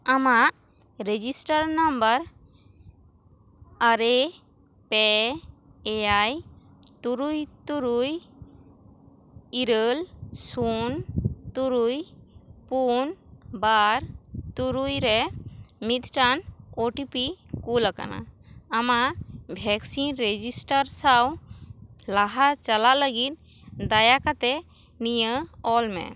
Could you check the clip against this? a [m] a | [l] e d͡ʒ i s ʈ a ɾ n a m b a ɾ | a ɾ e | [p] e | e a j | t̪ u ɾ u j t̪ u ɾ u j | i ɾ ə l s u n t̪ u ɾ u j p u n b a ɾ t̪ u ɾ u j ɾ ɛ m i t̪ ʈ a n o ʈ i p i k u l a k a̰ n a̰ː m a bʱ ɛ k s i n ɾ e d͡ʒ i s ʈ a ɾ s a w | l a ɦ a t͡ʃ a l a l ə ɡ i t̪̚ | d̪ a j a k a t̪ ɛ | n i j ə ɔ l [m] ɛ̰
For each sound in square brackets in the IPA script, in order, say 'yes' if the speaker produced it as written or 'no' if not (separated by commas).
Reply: yes, no, yes, yes